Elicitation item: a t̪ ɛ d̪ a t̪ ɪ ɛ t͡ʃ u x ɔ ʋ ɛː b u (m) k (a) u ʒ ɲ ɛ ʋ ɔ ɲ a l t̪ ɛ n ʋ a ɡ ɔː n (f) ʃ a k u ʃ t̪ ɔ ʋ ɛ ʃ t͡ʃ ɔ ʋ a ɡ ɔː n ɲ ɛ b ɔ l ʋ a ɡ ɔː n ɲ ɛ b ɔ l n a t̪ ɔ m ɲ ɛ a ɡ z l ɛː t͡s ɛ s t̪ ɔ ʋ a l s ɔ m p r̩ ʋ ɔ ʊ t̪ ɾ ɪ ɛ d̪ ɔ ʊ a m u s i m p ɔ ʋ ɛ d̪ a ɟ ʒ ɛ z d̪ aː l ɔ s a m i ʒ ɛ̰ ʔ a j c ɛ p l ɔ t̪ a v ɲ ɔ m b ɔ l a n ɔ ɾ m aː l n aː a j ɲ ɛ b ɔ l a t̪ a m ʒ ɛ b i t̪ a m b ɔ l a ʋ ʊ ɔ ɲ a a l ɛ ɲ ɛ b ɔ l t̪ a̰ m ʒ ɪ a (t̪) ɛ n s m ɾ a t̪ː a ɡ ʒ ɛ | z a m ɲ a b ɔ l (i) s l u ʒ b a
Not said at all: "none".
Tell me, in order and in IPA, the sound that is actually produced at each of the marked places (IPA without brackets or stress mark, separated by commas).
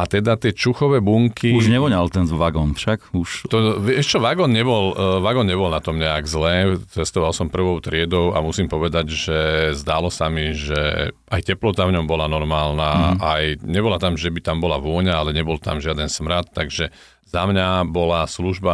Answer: ŋ, i, f, d̪, a